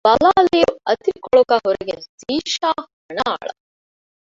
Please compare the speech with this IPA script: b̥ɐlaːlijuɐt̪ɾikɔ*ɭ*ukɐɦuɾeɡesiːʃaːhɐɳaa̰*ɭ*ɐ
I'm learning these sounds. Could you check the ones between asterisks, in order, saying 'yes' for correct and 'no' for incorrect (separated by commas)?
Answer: yes, yes